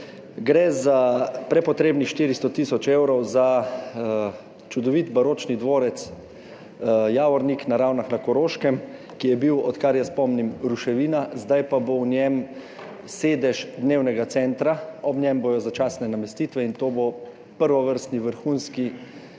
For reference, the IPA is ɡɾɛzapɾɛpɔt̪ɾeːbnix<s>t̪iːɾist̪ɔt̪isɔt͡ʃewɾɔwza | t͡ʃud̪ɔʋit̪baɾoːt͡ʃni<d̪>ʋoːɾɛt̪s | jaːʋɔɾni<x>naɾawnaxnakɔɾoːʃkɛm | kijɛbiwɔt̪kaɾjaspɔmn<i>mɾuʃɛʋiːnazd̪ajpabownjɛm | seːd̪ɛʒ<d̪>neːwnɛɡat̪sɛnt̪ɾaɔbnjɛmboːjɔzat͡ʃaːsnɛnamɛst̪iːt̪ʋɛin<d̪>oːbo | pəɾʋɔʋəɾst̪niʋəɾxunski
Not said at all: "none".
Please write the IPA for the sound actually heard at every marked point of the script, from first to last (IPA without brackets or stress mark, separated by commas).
ʃ, d̪, k, i, d̪, t̪